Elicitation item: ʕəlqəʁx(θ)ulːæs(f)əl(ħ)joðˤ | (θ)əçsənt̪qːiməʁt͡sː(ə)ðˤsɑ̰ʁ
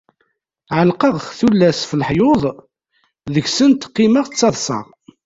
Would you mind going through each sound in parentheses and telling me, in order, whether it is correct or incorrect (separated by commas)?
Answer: correct, correct, correct, incorrect, incorrect